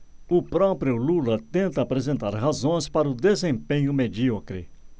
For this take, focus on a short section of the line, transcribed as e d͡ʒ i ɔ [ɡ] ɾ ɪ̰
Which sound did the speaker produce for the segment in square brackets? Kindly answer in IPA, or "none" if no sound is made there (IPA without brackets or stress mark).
k